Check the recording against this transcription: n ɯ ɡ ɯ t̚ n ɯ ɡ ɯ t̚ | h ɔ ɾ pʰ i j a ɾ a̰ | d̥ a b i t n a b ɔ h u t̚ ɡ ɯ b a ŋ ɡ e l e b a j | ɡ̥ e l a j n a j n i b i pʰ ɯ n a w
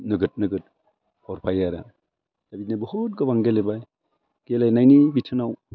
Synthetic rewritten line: n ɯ ɡ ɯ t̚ n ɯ ɡ ɯ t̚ | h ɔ ɾ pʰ a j a ɾ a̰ | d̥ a b i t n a b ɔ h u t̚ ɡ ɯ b a ŋ ɡ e l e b a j | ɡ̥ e l a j n a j n i b i tʰ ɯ n a w